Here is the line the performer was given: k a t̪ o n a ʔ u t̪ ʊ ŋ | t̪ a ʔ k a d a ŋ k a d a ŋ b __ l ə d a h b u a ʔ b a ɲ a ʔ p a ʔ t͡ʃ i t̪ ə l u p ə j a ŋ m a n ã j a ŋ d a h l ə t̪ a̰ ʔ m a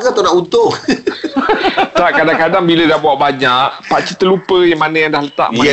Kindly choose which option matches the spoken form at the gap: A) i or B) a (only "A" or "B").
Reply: A